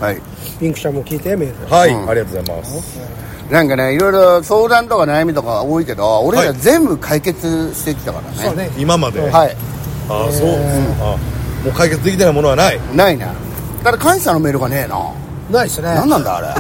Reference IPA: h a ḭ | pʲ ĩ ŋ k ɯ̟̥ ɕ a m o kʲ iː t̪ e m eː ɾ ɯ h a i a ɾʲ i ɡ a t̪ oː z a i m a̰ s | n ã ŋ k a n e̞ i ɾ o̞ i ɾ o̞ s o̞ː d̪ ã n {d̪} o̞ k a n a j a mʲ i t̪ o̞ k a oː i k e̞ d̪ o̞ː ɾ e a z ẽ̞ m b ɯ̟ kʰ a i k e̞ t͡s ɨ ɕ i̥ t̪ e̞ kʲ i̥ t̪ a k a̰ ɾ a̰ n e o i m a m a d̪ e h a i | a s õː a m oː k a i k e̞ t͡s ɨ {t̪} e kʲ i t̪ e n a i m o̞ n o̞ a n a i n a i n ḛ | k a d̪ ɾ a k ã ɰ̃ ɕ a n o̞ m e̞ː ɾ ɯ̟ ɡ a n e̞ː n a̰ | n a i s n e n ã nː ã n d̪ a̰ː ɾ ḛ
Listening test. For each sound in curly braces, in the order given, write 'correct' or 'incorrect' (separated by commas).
incorrect, incorrect